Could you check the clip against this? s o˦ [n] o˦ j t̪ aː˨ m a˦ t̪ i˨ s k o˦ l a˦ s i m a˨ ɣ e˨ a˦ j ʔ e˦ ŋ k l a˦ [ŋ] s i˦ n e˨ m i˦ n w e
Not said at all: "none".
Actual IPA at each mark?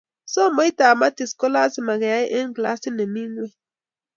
m, none

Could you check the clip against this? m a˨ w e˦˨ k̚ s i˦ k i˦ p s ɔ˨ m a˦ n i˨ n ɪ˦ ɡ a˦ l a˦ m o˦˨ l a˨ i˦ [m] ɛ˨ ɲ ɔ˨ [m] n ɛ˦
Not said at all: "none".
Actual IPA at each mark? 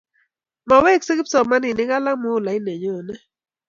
n, none

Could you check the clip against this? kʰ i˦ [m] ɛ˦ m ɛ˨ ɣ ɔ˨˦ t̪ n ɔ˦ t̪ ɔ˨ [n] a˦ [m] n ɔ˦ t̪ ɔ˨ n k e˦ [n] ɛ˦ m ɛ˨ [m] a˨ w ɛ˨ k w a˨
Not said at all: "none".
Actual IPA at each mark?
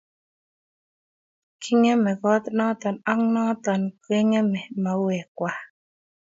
ŋ, n, ŋ, ŋ, m

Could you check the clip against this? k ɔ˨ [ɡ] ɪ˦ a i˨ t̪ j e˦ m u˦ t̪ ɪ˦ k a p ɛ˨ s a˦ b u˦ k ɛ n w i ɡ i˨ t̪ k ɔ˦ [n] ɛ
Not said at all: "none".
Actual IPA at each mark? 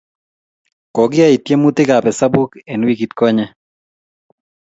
ɡ, ɲ

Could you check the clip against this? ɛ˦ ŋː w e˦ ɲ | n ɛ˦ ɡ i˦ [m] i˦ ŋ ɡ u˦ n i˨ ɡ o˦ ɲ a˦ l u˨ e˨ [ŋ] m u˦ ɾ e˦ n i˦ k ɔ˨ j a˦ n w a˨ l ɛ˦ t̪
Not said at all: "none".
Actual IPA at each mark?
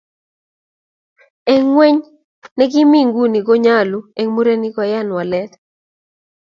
m, ŋ

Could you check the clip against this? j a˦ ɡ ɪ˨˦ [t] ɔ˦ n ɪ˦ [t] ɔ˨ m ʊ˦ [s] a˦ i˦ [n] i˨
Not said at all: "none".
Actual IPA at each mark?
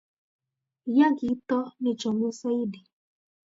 t, t͡ʃ, s, d

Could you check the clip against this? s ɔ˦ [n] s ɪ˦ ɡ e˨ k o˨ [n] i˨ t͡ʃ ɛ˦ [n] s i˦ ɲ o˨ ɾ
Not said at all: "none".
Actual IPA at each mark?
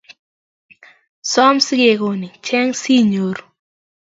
m, n, ŋ

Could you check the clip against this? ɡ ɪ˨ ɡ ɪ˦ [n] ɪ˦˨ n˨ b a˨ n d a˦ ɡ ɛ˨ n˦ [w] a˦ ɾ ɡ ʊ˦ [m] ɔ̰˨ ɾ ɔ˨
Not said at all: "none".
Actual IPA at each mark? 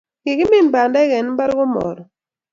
m, b, m

